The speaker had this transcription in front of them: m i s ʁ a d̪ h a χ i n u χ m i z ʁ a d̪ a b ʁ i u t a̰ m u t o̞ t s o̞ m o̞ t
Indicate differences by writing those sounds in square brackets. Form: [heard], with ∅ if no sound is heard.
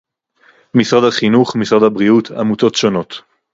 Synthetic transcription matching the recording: m i s ʁ a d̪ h a χ i n u χ m i [s] ʁ a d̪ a b ʁ i u t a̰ m u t o̞ t [ʃ] o̞ [n] o̞ t